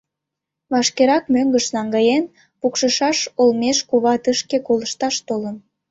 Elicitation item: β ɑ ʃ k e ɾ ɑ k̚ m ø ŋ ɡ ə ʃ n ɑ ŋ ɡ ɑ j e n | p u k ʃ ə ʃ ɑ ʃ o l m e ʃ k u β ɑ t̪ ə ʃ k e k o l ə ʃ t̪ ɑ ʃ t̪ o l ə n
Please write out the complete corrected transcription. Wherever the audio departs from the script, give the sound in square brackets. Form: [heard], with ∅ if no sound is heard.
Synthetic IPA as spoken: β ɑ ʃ k e ɾ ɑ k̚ m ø ŋ ɡ ə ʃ n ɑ ŋ ɡ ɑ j e n | p u k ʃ ə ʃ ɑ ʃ o l m e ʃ k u β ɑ t̪ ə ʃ k e k o l ə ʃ t̪ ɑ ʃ t̪ o l ə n